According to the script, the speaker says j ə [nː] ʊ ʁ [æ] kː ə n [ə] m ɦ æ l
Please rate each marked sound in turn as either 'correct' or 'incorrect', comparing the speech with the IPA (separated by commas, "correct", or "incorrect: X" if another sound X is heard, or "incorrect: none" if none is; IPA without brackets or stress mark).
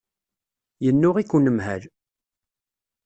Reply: correct, incorrect: i, correct